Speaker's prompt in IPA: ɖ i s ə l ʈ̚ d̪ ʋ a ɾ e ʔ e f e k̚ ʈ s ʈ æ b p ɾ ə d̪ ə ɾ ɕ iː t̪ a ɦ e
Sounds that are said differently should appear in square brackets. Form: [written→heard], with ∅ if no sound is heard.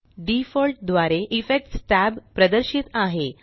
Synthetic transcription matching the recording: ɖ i [s→f] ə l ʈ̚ d̪ ʋ a ɾ e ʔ [e→i] f e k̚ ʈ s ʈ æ b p ɾ ə d̪ ə ɾ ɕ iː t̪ a ɦ e